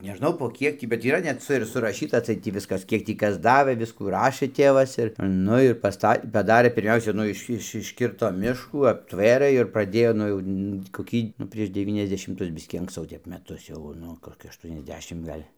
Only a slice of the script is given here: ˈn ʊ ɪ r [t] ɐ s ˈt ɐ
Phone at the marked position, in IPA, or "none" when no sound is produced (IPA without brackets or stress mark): p